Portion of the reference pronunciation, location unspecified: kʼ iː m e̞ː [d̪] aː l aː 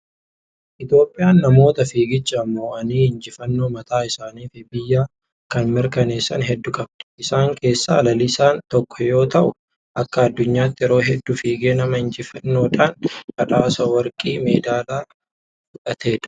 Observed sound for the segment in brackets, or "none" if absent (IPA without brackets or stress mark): d̪